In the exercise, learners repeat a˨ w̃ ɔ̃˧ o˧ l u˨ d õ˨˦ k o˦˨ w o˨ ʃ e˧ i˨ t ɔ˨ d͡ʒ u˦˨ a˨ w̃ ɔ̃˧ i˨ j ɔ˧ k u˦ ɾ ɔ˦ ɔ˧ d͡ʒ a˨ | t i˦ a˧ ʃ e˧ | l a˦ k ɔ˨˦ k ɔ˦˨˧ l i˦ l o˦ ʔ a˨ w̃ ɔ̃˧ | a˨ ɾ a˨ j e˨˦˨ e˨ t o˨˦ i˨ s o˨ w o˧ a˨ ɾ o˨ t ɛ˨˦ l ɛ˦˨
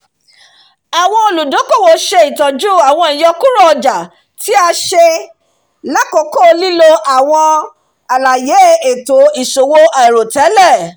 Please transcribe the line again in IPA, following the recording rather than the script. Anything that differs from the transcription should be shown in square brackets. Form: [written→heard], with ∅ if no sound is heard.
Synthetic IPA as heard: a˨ w̃ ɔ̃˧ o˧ l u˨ d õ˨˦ k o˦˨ w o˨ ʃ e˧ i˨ t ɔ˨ d͡ʒ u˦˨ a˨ w̃ ɔ̃˧ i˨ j ɔ˧ k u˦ ɾ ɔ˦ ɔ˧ d͡ʒ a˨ | t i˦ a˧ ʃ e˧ | l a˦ k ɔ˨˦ k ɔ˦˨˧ l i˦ l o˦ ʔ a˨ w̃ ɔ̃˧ | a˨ [ɾ→l] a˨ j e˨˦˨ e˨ t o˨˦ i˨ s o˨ w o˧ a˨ ɾ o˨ t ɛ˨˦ l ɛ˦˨